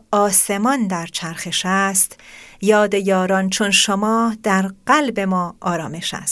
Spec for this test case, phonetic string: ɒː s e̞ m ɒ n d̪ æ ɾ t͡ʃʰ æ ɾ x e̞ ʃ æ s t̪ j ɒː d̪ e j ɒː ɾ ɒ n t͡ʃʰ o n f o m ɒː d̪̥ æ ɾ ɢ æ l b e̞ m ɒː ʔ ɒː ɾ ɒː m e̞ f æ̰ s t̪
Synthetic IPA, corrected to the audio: ɒː s e̞ m ɒ n d̪ æ ɾ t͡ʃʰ æ ɾ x e̞ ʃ æ s t̪ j ɒː d̪ e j ɒː ɾ ɒ n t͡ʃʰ o n ʃ o m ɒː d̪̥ æ ɾ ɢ æ l b e̞ m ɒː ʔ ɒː ɾ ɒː m e̞ ʃ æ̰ s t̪